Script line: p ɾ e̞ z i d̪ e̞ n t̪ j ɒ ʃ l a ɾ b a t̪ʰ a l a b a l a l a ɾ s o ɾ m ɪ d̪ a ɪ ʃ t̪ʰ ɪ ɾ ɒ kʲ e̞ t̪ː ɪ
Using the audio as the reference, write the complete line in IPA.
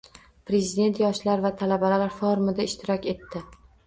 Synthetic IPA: p ɾ e̞ z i d̪ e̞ n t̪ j ɒ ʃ l a ɾ v a t̪ʰ a l a b a l a l a ɾ f o ɾ m ɪ d̪ a ɪ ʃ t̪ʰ ɪ ɾ ɒ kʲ e̞ t̪ː ɪ